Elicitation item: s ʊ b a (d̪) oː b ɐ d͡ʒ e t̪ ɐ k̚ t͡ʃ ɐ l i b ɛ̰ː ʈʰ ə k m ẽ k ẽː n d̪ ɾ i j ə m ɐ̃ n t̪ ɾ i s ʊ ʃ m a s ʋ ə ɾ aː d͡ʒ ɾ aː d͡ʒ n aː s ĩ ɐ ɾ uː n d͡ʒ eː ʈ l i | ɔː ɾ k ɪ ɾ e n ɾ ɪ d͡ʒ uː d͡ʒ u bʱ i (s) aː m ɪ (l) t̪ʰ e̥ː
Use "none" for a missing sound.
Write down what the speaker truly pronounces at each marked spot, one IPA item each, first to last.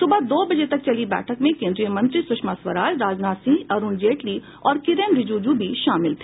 d̪, ʃ, l

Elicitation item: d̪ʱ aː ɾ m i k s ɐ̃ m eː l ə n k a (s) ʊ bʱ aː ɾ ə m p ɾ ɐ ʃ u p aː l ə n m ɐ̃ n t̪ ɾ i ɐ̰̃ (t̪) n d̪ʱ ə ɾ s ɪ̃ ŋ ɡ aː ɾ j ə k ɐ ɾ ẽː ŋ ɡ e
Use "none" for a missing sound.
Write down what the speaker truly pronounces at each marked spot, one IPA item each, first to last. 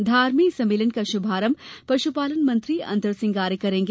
ʃ, none

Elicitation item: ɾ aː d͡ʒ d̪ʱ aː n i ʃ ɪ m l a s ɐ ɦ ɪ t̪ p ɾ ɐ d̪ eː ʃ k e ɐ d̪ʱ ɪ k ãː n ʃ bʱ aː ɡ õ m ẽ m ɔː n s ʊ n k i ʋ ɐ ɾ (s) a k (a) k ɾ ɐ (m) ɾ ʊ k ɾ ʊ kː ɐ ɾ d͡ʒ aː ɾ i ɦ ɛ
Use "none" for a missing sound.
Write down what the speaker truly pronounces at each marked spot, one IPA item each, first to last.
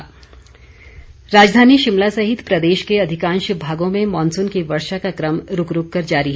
ʃ, a, m

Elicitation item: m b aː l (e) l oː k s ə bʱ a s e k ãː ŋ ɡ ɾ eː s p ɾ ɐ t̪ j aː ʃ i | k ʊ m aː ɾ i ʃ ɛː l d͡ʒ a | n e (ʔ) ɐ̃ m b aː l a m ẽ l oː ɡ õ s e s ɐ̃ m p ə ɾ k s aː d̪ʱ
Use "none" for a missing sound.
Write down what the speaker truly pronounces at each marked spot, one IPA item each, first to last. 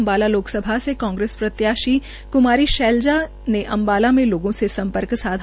a, ʔ

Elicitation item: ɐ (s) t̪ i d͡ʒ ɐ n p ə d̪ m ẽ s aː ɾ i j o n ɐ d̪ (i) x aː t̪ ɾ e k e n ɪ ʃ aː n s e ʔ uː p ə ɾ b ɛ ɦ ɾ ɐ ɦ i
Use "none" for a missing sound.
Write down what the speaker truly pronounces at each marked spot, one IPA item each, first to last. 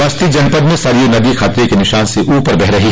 s, i

